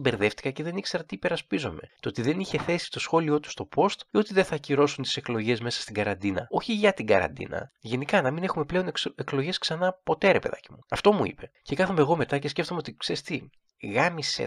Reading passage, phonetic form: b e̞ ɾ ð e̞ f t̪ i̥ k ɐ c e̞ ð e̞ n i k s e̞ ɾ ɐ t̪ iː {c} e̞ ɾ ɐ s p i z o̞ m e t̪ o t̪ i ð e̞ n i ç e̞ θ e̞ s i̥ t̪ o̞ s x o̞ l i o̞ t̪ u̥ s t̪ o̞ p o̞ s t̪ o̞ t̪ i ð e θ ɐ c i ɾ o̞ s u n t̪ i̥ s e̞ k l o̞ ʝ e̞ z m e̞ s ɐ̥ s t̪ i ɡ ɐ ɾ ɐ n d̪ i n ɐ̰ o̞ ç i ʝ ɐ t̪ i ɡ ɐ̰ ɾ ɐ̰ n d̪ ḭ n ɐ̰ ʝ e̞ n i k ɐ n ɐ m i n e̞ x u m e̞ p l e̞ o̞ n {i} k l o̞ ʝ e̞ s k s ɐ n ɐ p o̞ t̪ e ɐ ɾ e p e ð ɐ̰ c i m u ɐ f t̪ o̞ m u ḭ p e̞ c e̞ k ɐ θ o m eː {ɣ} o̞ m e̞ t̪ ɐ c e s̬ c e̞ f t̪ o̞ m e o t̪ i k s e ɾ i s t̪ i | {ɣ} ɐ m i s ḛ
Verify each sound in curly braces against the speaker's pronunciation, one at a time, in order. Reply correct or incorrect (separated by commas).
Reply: incorrect, incorrect, correct, correct